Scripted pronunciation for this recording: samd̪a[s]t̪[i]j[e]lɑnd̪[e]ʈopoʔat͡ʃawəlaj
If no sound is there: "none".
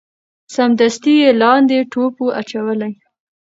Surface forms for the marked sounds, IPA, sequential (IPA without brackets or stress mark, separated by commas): s, i, e, e